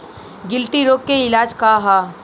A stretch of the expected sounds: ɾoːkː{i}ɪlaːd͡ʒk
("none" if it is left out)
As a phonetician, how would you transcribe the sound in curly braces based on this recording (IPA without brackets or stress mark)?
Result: e